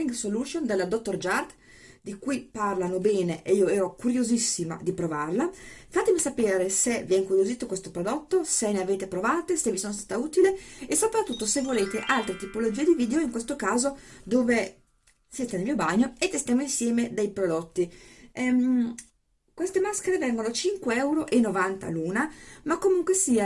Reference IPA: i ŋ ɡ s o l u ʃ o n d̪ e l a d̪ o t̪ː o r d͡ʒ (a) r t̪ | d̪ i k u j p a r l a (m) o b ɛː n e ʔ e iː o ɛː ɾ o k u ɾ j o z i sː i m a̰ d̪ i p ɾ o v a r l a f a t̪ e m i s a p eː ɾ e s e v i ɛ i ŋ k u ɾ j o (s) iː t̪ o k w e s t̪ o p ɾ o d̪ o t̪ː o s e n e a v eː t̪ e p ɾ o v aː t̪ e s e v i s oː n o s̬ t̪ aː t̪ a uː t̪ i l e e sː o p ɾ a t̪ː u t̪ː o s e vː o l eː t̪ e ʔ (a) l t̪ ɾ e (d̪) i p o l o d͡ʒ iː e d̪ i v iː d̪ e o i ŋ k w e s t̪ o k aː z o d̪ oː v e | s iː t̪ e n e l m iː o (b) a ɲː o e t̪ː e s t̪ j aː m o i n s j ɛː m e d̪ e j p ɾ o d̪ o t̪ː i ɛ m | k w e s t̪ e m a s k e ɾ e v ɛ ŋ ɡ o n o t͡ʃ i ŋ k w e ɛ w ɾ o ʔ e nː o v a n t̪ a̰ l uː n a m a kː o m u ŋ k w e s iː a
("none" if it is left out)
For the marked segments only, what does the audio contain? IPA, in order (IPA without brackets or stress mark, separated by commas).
a, n, z, a, t̪, b